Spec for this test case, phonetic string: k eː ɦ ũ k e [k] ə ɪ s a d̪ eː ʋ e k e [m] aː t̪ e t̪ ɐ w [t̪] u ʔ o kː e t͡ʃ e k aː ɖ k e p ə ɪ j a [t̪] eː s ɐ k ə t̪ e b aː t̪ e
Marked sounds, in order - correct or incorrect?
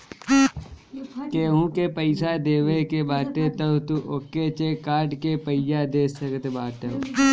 incorrect: p, incorrect: b, correct, incorrect: d̪

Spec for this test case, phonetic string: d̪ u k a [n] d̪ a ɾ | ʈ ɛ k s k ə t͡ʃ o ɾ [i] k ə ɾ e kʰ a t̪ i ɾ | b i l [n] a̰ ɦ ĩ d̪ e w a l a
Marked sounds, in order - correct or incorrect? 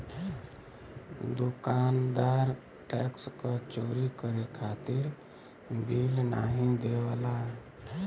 correct, correct, correct

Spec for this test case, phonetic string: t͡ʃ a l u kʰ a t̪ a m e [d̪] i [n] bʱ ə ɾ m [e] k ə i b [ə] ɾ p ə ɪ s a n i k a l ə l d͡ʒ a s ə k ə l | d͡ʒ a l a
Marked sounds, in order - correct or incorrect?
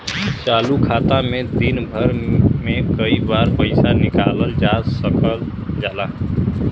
correct, correct, correct, incorrect: a

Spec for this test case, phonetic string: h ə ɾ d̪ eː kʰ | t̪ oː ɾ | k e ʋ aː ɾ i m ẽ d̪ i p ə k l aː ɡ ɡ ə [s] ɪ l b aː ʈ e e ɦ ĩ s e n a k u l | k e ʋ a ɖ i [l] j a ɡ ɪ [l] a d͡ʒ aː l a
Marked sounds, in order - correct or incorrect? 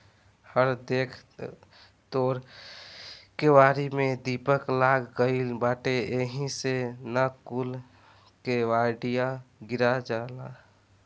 incorrect: none, incorrect: none, incorrect: ɾ

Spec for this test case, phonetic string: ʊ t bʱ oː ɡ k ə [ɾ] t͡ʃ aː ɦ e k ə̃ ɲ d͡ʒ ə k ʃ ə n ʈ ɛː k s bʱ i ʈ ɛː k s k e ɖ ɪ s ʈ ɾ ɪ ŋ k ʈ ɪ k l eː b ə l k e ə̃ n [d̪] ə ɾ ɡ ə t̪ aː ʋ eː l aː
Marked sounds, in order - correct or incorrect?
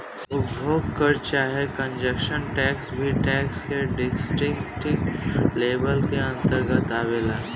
correct, incorrect: t̪

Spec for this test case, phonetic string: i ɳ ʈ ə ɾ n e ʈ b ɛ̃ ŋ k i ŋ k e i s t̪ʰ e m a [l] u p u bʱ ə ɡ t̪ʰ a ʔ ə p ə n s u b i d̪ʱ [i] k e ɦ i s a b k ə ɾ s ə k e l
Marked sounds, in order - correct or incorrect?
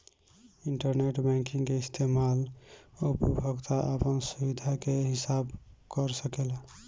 correct, incorrect: a

